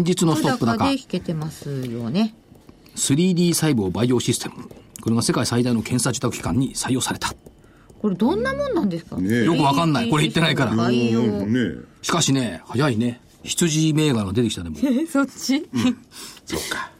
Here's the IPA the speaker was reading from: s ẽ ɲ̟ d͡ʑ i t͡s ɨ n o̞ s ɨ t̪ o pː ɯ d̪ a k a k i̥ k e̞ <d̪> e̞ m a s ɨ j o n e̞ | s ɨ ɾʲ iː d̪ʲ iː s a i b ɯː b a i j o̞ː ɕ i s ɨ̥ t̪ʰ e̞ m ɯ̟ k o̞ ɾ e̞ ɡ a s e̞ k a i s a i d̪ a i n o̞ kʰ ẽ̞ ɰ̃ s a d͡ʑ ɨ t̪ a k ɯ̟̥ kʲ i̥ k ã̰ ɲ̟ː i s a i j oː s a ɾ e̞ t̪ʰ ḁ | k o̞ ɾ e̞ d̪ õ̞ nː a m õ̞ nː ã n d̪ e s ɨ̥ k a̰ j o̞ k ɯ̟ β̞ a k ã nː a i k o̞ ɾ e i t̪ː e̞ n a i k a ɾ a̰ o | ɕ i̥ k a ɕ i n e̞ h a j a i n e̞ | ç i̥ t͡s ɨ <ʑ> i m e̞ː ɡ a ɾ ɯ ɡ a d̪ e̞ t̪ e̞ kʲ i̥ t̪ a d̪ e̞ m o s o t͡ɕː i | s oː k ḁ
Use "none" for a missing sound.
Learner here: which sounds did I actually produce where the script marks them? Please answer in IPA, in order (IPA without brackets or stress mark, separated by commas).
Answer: t̪, ʑ